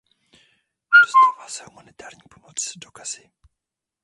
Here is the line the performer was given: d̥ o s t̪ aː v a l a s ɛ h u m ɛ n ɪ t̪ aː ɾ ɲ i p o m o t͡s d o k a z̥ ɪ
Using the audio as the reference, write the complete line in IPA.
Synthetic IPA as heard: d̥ o s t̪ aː v a l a s ɛ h u m a n ɪ t̪ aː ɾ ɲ i p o m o t͡s d o k a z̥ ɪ